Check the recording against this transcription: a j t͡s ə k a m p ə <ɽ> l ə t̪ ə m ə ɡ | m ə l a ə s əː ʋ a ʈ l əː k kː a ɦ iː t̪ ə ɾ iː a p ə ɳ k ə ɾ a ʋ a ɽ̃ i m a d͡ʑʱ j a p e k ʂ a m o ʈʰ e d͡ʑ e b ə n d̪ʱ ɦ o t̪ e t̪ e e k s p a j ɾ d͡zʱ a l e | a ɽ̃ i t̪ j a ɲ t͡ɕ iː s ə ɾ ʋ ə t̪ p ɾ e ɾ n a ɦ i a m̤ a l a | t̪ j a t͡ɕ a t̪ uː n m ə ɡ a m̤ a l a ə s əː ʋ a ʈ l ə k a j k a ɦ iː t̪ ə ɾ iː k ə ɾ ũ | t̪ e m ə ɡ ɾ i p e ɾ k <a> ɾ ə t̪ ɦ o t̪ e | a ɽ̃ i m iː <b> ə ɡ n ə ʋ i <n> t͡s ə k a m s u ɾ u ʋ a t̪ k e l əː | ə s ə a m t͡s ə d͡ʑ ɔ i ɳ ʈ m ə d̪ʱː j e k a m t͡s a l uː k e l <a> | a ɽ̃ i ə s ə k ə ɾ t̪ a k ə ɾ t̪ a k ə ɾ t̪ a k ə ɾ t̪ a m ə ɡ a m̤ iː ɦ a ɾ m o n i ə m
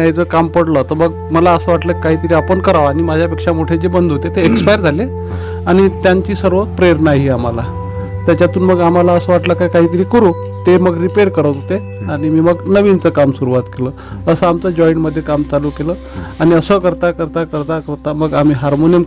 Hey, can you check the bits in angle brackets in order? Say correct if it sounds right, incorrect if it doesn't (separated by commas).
correct, incorrect, incorrect, correct, incorrect